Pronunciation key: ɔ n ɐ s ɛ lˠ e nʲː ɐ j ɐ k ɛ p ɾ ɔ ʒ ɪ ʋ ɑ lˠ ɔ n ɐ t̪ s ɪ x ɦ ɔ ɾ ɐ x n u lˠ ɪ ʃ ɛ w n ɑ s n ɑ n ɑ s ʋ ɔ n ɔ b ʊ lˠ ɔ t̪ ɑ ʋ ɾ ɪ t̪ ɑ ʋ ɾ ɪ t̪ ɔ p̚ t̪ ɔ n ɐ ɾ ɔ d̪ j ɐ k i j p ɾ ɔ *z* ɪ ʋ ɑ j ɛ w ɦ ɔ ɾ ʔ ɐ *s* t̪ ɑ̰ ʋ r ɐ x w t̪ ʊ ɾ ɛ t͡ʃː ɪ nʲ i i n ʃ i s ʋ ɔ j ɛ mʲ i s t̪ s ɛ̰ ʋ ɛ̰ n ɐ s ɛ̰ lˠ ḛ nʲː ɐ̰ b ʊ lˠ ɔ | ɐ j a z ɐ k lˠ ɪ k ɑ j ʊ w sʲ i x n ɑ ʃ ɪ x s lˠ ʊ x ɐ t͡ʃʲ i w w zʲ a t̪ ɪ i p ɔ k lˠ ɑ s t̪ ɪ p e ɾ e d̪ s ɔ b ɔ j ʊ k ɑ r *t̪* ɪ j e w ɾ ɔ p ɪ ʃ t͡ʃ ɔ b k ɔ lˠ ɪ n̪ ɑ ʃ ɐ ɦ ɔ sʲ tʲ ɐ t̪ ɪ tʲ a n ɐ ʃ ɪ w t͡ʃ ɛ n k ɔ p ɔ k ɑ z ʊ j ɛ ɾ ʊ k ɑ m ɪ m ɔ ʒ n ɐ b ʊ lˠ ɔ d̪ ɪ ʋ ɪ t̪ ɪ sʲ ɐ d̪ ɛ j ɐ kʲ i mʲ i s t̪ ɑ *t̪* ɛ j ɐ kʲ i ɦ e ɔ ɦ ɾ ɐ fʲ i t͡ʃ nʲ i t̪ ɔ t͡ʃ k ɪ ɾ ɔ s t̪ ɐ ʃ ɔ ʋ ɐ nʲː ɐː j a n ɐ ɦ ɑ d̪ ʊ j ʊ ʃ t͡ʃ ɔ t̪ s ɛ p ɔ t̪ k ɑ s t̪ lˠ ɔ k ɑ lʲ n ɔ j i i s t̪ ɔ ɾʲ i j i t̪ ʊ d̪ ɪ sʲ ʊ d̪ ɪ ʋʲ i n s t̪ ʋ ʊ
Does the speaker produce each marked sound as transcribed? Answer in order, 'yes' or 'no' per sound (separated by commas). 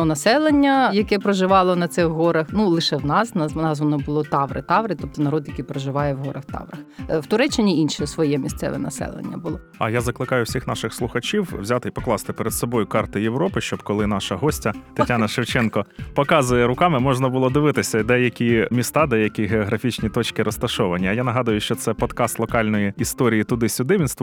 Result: no, no, yes, no